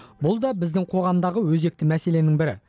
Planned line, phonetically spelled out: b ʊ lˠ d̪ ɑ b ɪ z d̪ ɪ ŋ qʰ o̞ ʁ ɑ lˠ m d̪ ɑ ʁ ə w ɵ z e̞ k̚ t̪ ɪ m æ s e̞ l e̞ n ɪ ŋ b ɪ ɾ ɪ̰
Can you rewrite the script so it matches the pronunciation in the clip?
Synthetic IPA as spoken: b ʊ lˠ d̪ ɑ b ɪ z d̪ ɪ ŋ qʰ o̞ ʁ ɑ m d̪ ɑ ʁ ə w ɵ z e̞ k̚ t̪ ɪ m æ s e̞ l e̞ n ɪ ŋ b ɪ ɾ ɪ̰